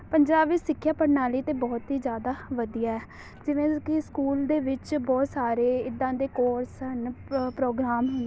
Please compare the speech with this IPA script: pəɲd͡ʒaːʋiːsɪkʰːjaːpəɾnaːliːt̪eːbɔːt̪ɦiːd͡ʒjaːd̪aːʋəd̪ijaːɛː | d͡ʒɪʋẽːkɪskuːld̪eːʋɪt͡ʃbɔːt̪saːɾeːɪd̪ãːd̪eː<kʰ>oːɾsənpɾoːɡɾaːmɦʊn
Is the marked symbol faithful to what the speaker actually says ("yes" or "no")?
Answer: no